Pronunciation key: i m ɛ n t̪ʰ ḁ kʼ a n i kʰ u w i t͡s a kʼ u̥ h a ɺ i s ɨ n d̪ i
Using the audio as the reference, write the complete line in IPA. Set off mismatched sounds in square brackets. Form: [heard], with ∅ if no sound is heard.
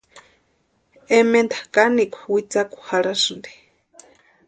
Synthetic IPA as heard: [ɛ] m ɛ n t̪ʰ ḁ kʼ a n i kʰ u w i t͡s a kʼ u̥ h a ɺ [a] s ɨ n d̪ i